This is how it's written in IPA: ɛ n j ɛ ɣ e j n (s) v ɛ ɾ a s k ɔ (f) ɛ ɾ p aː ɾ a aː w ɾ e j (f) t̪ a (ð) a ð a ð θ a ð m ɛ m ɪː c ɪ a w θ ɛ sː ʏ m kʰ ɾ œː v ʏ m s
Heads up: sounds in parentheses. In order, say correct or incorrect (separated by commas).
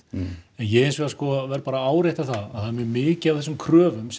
correct, incorrect, incorrect, incorrect